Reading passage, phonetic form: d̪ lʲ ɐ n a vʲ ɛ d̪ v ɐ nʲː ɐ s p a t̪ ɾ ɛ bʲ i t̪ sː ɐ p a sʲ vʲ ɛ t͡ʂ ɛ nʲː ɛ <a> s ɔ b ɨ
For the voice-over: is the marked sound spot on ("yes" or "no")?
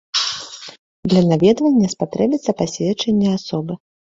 yes